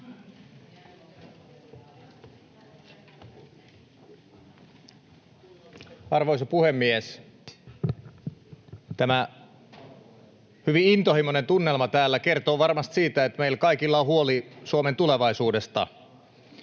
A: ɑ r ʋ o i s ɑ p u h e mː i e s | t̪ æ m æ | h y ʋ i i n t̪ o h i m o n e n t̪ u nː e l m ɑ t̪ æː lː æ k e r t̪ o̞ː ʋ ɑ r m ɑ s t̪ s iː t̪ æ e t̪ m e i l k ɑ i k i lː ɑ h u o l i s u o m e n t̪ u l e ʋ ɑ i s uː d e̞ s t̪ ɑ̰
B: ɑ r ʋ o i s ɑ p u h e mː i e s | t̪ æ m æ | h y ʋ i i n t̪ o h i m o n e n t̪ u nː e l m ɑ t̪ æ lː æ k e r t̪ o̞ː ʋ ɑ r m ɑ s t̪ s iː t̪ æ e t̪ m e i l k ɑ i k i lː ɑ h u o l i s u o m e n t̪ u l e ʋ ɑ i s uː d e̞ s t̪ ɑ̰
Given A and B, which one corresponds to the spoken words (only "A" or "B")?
A